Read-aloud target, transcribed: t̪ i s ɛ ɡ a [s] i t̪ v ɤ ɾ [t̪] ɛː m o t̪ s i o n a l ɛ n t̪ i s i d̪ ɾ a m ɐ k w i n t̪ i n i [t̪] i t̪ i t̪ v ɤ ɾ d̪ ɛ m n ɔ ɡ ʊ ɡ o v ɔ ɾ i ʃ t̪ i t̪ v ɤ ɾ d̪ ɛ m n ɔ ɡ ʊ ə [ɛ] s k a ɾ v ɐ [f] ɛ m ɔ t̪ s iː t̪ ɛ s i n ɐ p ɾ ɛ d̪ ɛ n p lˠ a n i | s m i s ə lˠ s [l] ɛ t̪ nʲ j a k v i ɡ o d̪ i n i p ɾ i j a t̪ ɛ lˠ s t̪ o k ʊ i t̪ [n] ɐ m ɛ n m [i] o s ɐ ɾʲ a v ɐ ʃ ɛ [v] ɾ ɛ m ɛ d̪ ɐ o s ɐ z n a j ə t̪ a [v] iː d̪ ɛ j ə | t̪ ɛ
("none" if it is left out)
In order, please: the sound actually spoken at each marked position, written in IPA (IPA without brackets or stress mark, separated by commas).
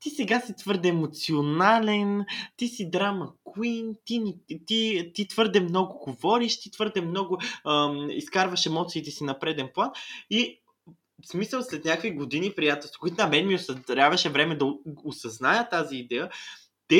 s, d̪, t̪, i, ʃ, l, n, i, v, z